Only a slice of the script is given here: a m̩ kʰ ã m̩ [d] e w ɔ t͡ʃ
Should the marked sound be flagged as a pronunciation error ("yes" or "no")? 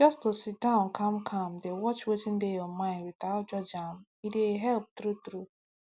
no